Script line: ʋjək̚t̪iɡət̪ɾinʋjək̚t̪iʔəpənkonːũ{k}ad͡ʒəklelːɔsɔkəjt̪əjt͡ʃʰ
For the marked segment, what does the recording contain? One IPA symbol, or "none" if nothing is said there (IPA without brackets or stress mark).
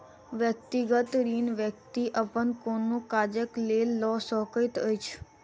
k